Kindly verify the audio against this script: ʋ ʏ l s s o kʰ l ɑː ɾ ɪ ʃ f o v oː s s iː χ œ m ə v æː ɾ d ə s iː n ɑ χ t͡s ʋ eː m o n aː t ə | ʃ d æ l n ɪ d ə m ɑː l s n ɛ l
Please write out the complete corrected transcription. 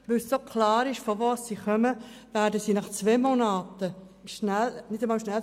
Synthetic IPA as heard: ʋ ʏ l s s o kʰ l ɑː ɾ ɪ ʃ f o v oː s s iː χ œ m ə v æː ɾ d ə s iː n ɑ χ t͡s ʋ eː m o n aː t ə | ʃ n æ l n ɪ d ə m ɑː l ʃ n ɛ l